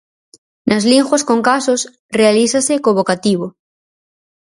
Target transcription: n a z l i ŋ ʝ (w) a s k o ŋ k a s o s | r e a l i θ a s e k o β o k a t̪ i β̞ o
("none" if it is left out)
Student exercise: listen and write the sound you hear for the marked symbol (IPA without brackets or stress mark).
w